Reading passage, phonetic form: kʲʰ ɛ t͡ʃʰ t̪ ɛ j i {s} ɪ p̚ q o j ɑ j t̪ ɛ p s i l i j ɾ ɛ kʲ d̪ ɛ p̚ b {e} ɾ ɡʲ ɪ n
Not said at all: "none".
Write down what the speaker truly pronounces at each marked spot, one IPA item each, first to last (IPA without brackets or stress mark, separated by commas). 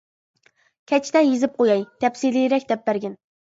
z, æ